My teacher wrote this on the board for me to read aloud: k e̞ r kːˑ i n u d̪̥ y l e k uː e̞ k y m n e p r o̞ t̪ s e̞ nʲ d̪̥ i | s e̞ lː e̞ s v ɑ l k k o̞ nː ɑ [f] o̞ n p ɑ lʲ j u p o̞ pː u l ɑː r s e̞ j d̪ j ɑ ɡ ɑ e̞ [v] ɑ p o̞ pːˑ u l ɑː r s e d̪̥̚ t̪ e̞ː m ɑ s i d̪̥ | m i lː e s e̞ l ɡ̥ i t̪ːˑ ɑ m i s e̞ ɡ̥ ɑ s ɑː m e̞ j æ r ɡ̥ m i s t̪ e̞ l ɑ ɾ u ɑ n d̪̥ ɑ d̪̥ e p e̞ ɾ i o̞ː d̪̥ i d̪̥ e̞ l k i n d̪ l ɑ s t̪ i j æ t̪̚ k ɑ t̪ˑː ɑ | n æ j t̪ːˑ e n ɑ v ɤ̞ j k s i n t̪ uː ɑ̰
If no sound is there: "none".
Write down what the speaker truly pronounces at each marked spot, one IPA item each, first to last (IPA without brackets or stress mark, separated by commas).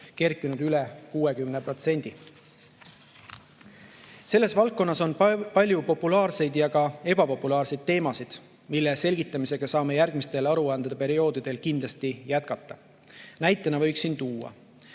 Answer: s, b